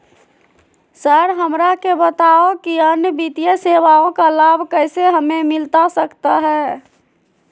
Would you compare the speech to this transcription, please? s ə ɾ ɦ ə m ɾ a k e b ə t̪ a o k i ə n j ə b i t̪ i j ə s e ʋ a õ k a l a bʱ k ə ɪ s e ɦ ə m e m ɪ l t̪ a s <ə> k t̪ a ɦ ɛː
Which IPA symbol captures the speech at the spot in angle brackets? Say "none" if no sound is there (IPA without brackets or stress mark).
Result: ə